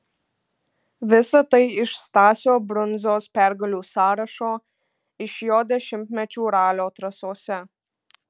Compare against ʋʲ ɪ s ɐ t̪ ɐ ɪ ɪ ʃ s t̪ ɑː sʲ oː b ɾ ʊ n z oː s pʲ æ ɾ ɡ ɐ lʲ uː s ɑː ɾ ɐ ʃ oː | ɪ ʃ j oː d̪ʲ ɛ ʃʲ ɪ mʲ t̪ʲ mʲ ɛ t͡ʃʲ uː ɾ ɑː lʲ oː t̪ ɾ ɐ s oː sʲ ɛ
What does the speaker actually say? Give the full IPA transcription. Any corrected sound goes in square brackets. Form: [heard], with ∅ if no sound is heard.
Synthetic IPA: ʋʲ ɪ s ɐ t̪ ɐ ɪ ɪ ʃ s t̪ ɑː sʲ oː b ɾ ʊ n z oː s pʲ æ ɾ ɡ ɐ lʲ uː s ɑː ɾ ɐ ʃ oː | ɪ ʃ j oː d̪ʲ ɛ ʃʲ ɪ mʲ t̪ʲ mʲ ɛ t͡ʃʲ uː ɾ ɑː lʲ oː t̪ ɾ ɐ s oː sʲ ɛ